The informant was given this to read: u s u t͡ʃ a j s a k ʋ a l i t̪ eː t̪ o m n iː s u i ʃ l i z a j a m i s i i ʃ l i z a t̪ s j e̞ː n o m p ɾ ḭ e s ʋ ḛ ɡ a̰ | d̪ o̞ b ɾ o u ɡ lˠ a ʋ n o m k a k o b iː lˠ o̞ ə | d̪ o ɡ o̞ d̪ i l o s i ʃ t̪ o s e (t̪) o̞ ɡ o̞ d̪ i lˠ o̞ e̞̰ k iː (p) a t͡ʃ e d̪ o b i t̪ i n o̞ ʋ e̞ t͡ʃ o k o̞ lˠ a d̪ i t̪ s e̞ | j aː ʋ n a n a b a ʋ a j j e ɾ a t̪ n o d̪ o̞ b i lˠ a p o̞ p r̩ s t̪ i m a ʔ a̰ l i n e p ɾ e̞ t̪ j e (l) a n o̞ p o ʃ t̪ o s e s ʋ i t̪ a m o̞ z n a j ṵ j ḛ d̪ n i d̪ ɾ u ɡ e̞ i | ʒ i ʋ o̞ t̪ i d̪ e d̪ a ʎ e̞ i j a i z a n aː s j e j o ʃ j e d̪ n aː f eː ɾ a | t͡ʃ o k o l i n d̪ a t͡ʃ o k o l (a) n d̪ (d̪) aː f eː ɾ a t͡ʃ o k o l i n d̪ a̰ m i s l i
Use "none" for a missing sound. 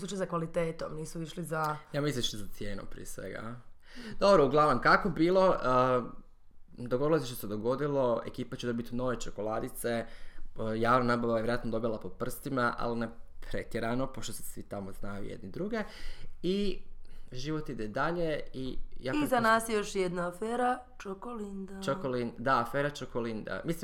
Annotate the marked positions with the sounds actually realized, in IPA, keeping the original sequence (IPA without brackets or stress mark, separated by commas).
d̪, p, ɾ, i, d̪